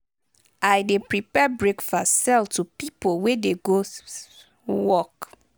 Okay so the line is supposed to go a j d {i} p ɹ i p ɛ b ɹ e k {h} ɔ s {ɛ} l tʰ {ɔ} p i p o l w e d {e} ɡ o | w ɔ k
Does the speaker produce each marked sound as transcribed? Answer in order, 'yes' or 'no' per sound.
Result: no, no, yes, no, yes

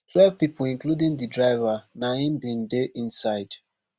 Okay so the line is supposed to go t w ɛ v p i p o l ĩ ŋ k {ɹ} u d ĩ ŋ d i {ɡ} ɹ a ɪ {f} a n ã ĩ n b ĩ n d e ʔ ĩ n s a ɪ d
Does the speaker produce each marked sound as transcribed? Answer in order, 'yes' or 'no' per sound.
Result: no, no, no

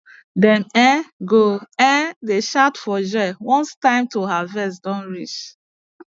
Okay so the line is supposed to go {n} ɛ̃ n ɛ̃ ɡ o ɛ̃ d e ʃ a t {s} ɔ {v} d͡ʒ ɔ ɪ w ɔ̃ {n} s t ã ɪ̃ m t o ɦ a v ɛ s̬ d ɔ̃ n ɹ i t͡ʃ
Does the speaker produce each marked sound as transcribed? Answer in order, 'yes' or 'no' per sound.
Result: no, no, no, yes

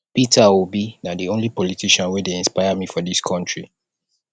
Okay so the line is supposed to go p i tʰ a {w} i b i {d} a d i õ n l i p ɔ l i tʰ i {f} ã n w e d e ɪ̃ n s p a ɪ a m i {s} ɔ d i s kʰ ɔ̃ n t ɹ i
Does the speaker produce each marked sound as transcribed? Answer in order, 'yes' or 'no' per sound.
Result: yes, no, no, no

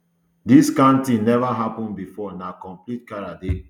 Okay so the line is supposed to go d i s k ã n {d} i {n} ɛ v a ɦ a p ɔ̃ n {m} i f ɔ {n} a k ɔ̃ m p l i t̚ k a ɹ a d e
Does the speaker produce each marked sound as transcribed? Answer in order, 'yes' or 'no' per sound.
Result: no, yes, no, yes

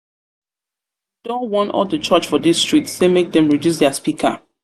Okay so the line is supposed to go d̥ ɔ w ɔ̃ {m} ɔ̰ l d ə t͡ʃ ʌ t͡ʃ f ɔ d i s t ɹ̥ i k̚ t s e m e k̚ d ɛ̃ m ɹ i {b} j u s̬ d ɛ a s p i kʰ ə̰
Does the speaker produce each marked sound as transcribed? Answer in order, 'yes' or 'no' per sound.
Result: no, no

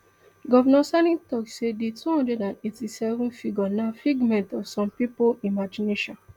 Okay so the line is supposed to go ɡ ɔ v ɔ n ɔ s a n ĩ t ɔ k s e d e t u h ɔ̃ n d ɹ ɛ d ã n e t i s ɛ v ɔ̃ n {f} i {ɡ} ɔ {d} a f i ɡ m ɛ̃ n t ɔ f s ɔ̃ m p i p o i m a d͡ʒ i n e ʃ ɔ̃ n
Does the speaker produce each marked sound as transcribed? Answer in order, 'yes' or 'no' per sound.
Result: yes, yes, no

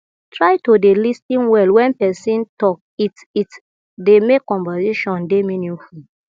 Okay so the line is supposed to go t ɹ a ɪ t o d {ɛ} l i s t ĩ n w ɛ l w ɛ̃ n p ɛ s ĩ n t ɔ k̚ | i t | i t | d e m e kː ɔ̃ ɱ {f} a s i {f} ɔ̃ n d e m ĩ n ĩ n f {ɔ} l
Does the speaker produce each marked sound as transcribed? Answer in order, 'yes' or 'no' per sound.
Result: no, no, no, no

